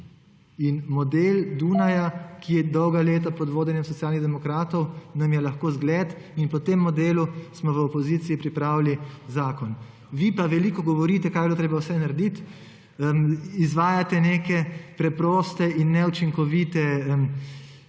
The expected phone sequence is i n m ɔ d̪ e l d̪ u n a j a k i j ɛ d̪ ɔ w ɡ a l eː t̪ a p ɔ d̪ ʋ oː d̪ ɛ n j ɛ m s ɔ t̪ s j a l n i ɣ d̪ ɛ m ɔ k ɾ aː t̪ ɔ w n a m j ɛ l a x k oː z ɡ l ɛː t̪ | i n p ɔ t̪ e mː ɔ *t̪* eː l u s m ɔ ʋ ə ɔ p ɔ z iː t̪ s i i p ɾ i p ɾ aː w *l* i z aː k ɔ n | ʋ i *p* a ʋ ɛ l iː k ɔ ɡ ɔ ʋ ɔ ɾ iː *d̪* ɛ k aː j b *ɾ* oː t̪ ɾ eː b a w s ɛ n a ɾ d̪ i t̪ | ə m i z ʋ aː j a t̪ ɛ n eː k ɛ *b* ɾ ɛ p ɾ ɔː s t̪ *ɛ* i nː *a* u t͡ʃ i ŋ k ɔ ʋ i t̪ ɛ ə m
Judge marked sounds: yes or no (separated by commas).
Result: no, yes, yes, no, no, no, yes, no